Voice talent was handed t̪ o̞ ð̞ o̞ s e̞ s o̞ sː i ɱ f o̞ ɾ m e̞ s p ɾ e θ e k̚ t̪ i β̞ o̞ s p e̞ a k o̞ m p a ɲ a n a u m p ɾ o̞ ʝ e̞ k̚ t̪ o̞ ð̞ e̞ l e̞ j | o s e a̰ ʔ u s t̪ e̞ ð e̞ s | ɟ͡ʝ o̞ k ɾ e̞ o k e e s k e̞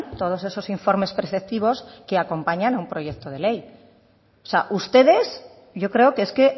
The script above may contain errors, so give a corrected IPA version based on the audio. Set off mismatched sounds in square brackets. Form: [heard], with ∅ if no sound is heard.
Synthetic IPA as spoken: t̪ o̞ ð̞ o̞ s e̞ s o̞ [s] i ɱ f o̞ ɾ m e̞ s p ɾ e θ e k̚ t̪ i β̞ o̞ s [k] e̞ a k o̞ m p a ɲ a n a u m p ɾ o̞ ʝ e̞ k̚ t̪ o̞ ð̞ e̞ l e̞ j | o s e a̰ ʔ u s t̪ e̞ ð e̞ s | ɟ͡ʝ o̞ k ɾ e̞ o k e e s k e̞